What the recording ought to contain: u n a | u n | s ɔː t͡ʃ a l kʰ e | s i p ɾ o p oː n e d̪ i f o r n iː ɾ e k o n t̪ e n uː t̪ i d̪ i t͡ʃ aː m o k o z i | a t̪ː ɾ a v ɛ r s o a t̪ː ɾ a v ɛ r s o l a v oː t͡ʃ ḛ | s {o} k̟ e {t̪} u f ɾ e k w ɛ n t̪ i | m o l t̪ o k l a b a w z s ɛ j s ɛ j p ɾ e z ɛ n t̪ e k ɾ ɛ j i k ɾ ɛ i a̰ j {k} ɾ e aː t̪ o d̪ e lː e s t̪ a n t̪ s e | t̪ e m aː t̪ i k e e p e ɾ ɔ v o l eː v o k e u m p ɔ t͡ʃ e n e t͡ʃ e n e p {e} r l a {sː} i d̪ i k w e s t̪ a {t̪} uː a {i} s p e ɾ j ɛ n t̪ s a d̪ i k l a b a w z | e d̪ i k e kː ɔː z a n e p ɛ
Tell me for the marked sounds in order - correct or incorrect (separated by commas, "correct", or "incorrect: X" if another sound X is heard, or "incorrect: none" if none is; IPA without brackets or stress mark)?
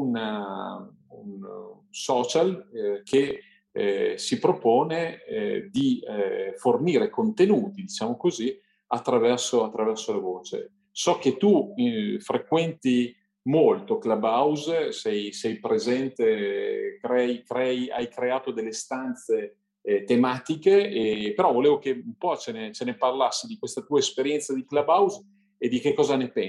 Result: incorrect: ɔ, correct, correct, incorrect: a, correct, correct, incorrect: e